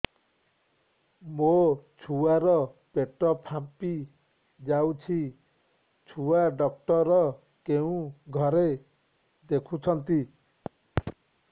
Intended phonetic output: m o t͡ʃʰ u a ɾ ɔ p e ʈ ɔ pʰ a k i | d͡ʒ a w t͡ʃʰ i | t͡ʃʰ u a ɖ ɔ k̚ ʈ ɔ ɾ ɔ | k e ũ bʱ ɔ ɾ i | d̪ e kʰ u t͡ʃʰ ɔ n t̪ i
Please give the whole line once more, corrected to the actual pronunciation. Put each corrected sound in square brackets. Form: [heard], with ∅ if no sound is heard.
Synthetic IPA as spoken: m o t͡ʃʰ u a ɾ ɔ p e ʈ ɔ pʰ a [p] i | d͡ʒ a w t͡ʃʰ i | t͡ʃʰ u a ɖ ɔ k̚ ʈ ɔ ɾ ɔ | k e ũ [ɡʱ] ɔ ɾ [e] | d̪ e kʰ u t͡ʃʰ ɔ n t̪ i

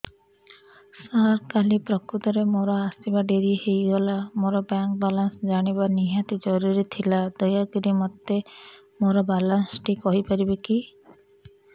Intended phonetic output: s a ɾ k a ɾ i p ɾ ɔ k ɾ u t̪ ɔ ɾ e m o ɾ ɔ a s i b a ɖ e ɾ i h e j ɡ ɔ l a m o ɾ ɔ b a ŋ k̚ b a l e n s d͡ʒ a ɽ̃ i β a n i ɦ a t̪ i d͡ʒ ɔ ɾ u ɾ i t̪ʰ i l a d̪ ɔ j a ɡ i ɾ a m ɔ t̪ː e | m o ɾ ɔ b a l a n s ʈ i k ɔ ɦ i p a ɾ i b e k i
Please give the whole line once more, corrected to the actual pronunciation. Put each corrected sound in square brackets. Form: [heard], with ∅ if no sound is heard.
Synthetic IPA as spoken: s a ɾ k a [l] i p ɾ ɔ k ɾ u t̪ ɔ ɾ e m o ɾ ɔ a s i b a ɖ e ɾ i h e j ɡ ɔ l a m o ɾ ɔ b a ŋ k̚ b a l [a] n s d͡ʒ a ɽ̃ i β a n i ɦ a t̪ i d͡ʒ ɔ ɾ u ɾ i t̪ʰ i l a d̪ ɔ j a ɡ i ɾ [i] m ɔ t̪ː e | m o ɾ ɔ b a l a n s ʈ i k ɔ ɦ i p a ɾ i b e k i

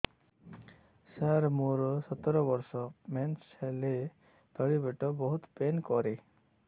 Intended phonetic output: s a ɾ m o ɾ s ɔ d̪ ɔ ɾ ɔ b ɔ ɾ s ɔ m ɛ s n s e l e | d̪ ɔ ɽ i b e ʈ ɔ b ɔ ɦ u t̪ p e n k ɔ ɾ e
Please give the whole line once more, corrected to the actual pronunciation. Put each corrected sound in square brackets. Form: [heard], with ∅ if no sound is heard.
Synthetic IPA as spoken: s a ɾ m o ɾ s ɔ [t̪] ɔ ɾ ɔ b ɔ ɾ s ɔ m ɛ [∅] n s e l e | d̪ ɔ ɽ i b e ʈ ɔ b ɔ ɦ u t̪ p e n k ɔ ɾ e

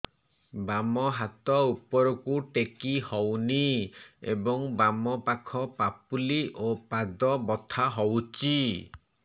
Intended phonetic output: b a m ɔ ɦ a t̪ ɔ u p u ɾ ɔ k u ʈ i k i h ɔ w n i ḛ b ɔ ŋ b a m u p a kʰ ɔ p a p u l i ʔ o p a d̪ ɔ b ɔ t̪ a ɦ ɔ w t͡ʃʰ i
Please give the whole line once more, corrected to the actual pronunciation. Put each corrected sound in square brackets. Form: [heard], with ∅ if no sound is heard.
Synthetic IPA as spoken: b a m ɔ ɦ a t̪ ɔ u p [ɔ] ɾ ɔ k u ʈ [e] k i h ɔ w n i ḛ b ɔ ŋ b a m [ɔ] p a kʰ ɔ p a p u l i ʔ o p a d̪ ɔ b ɔ [t̪ʰ] a ɦ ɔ w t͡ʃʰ i

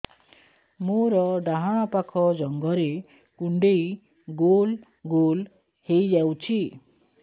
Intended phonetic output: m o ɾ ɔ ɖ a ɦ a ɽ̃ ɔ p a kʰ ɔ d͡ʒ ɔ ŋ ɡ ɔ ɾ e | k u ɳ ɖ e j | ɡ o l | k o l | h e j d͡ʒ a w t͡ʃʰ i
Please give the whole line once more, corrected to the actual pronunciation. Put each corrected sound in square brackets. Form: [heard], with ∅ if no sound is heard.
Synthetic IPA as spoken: m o ɾ ɔ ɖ a ɦ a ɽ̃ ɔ p a kʰ ɔ d͡ʒ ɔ ŋ ɡ ɔ ɾ e | k u ɳ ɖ e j | ɡ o l | [ɡ] o l | h e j d͡ʒ a w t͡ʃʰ i

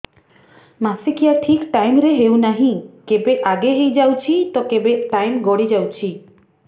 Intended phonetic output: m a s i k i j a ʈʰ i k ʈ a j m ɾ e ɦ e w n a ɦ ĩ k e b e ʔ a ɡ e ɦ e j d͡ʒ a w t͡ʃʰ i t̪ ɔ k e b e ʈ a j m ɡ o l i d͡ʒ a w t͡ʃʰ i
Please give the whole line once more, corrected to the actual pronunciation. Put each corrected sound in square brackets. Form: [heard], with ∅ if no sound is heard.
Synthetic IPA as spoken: m a s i k i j a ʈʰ i k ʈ a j m ɾ e ɦ e w n a ɦ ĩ k e b e ʔ a ɡ e ɦ e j d͡ʒ a w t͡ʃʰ i t̪ ɔ k e b e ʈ a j m ɡ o [ɽ] i d͡ʒ a w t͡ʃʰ i

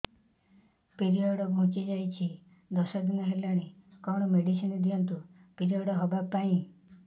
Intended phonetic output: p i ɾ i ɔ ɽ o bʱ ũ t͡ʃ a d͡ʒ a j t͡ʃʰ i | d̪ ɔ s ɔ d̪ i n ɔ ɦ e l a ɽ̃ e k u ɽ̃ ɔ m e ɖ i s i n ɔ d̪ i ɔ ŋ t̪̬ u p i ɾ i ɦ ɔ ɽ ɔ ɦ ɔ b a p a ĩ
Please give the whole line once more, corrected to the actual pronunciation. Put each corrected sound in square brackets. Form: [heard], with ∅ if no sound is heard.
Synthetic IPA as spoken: p i ɾ i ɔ ɽ [ɔ] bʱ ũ t͡ʃ [i] d͡ʒ a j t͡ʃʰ i | d̪ ɔ s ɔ d̪ i n ɔ ɦ e l a ɽ̃ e k [ɔ] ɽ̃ ɔ m e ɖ i s i n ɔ d̪ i ɔ [n] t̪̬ u p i ɾ i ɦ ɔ ɽ ɔ ɦ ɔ b a p a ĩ

